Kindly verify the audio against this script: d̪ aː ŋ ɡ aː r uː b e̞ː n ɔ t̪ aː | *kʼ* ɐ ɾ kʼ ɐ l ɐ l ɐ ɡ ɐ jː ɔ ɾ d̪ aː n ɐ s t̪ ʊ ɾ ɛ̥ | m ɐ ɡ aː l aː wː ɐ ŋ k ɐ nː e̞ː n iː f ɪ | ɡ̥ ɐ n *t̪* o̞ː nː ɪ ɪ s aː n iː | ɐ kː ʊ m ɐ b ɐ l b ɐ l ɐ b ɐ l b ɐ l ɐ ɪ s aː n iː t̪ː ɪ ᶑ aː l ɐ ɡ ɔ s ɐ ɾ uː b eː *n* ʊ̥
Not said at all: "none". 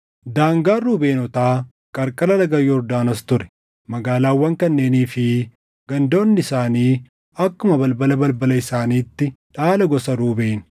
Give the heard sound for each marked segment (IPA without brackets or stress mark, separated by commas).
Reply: kʼ, d̪, n